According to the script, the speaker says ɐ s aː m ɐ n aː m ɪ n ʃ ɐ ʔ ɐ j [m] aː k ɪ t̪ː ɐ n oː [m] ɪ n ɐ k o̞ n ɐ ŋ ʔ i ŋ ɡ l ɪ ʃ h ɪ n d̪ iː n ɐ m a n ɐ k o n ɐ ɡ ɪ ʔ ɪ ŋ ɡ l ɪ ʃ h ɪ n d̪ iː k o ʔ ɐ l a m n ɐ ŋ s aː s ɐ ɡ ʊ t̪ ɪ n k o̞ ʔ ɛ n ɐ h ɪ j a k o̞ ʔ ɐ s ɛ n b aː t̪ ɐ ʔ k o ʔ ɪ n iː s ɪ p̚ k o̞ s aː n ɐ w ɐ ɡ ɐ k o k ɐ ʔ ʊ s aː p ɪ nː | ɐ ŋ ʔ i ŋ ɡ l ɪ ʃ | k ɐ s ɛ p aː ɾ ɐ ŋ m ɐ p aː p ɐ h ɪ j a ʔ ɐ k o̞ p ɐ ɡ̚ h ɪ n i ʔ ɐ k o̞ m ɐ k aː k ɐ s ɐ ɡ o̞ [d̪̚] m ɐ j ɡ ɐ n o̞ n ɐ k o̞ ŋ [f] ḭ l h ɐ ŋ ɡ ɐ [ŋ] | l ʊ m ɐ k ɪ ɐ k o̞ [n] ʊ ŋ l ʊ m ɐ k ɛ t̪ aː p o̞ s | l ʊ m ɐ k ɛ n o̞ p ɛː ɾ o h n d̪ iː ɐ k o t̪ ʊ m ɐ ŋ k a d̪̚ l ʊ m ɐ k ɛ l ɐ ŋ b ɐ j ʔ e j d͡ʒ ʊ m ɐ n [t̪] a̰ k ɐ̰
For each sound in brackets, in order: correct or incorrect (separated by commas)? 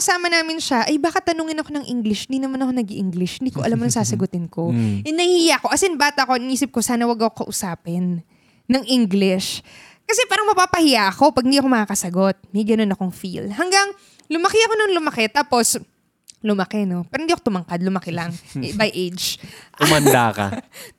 incorrect, incorrect, incorrect, correct, correct, correct, incorrect